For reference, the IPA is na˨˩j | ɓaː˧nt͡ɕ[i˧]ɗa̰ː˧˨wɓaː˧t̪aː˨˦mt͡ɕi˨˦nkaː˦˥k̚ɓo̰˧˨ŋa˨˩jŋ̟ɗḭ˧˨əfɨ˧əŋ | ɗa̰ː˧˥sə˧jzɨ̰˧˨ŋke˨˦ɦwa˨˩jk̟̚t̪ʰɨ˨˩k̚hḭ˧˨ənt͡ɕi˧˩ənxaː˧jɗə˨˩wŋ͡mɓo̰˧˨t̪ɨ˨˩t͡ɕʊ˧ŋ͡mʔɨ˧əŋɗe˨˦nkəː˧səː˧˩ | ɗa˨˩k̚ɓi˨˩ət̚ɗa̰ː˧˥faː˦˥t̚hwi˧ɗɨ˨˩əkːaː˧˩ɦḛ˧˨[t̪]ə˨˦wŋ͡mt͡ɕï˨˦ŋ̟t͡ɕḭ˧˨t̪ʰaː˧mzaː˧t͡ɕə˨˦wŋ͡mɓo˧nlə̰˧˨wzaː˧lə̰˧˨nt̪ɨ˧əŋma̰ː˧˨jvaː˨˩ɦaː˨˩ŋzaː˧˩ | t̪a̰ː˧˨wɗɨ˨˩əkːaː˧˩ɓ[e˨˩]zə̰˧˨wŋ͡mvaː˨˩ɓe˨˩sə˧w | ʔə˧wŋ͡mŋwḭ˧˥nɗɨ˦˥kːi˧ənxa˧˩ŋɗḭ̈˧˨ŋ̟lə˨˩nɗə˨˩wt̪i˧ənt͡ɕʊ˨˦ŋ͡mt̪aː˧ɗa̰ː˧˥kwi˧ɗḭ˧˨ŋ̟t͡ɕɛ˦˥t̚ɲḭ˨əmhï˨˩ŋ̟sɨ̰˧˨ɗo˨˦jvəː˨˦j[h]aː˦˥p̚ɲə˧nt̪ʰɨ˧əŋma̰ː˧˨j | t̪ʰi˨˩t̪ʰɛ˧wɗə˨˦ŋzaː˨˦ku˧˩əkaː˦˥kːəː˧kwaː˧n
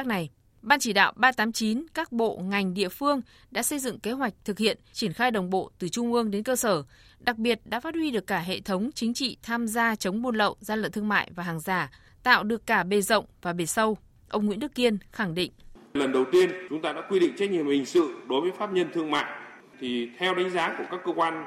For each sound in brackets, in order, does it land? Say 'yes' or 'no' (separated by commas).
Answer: no, no, yes, no